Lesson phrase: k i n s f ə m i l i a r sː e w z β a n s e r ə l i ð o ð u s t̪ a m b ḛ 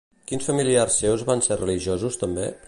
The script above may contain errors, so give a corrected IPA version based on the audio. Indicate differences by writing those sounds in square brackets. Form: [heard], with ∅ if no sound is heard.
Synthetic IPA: k i n s f ə m i l i a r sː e w z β a n s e r ə l i [ʒ] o [z] u s t̪ [ə] m b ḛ